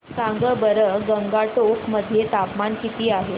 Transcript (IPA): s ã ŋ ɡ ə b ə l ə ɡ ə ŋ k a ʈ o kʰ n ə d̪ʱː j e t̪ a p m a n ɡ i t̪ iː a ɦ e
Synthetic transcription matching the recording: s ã ŋ ɡ ə b ə ɾ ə ɡ ə ŋ ɡ a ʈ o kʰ m ə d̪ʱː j e t̪ a p m a n k i t̪ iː a ɦ e

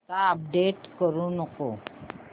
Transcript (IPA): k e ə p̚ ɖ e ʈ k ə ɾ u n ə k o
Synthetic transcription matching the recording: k a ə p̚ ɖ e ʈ k ə ɾ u n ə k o

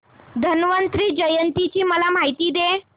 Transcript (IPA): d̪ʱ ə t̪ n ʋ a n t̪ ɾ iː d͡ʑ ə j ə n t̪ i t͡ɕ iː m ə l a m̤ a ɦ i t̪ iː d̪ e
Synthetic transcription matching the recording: d̪ʱ ə n ʋ ə n t̪ ɾ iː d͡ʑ ə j ə n t̪ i t͡ɕ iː m ə l a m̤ a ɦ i t̪ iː d̪ e

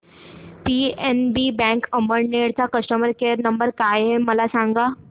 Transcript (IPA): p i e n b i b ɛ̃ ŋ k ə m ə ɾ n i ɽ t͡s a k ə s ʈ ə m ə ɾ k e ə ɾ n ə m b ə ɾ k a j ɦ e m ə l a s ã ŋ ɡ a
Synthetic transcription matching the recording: p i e n b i b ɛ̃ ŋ k ə m ə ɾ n e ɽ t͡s a k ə s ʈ ə m ə ɾ k e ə ɾ n ə m b ə ɾ k a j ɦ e m ə l a s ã ŋ ɡ a

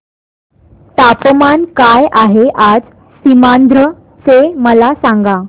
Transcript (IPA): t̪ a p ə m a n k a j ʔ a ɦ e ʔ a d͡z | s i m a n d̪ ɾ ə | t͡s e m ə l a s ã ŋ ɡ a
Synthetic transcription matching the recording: t̪ a p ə m a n k a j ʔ a ɦ e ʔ a d͡z | s i m a n d̪ ɾ ə | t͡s e m ə l a s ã ŋ ɡ a

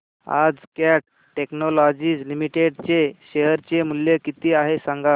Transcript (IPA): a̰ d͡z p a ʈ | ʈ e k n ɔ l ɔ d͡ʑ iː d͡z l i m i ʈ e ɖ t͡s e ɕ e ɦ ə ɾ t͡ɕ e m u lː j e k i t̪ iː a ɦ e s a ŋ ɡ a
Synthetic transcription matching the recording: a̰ d͡z k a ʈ | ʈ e k n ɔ l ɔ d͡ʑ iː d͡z l i m i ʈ e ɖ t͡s e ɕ e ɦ ə ɾ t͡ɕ e m u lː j e k i t̪ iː a ɦ e s a ŋ ɡ a

